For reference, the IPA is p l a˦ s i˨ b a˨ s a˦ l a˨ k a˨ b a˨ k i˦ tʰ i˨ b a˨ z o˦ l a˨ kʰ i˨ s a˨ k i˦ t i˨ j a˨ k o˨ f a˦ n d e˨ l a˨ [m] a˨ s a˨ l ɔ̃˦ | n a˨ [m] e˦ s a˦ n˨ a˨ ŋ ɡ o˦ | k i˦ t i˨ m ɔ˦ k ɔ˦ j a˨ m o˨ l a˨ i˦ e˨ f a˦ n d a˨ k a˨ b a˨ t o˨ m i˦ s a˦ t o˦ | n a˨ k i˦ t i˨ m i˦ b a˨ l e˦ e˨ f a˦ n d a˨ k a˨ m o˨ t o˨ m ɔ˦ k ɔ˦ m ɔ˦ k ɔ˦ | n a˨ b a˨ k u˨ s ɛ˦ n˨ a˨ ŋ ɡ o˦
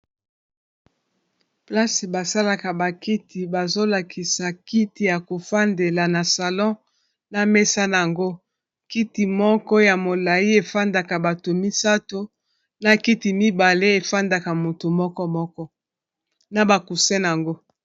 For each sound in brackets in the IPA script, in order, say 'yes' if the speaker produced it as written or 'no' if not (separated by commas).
no, yes